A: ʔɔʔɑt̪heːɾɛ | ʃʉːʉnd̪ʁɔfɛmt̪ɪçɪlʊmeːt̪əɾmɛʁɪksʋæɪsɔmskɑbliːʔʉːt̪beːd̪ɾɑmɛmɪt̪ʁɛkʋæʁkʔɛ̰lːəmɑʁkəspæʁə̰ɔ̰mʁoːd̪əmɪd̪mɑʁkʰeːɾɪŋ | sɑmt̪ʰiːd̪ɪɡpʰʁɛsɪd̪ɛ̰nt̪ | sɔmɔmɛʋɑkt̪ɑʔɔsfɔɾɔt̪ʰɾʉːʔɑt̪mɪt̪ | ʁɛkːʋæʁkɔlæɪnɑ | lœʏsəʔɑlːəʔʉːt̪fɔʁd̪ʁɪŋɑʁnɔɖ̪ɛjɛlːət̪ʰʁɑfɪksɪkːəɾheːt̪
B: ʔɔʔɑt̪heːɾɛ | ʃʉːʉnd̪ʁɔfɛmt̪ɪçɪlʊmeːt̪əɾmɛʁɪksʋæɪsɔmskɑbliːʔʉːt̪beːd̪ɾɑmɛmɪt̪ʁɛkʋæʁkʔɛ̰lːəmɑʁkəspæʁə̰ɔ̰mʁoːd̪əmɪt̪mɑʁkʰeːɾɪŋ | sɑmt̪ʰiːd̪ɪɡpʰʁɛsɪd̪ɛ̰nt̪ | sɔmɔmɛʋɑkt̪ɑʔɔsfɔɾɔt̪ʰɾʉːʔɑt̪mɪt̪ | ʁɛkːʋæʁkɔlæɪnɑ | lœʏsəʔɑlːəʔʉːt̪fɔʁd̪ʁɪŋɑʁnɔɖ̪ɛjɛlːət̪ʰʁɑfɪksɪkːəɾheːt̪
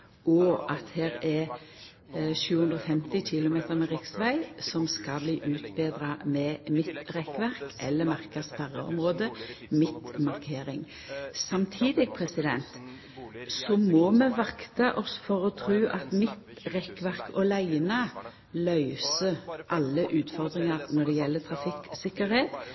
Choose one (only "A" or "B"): B